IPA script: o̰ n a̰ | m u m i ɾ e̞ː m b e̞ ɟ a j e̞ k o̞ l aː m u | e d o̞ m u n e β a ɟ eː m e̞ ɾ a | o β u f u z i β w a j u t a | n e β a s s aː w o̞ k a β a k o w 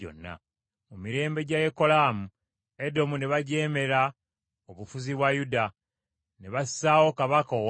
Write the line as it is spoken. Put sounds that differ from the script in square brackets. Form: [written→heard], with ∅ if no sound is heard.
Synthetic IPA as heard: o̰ [n→nː] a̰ | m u m i ɾ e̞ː m b e̞ ɟ a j e̞ k o̞ l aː m u | e d o̞ m u n e β a ɟ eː m e̞ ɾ a | o β u f u z i β w a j u [t→d] a | n e β a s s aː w o̞ k a β a k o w